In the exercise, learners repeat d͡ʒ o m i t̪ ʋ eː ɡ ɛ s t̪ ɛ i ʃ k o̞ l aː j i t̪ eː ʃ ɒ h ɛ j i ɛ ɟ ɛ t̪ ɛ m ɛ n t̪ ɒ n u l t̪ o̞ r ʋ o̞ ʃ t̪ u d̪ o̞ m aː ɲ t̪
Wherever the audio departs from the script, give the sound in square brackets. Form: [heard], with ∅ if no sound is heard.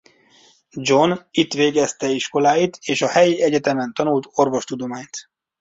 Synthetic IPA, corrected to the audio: d͡ʒ o [n] i t̪ ʋ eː ɡ ɛ s t̪ ɛ i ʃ k o̞ l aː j i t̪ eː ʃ ɒ h ɛ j i ɛ ɟ ɛ t̪ ɛ m ɛ n t̪ ɒ n u l t̪ o̞ r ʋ o̞ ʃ t̪ u d̪ o̞ m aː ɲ t̪

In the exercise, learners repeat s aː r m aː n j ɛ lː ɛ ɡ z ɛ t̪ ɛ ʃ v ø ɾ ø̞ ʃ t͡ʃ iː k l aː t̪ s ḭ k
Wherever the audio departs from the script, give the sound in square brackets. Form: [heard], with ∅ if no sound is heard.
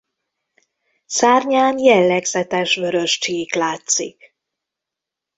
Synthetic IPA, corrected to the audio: s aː r [ɲ] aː n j ɛ lː ɛ ɡ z ɛ t̪ ɛ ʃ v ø ɾ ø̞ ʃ t͡ʃ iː k l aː t̪ s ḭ k

